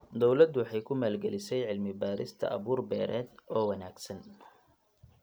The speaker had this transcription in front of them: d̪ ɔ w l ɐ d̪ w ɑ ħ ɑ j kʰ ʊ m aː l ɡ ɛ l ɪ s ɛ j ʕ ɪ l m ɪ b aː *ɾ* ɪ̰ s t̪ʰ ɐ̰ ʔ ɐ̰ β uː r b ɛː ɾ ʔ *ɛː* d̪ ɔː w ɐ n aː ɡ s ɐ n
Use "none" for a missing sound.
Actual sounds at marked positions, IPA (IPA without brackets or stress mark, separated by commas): ɾ, ɛː